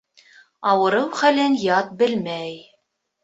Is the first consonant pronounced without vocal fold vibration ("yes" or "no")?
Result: no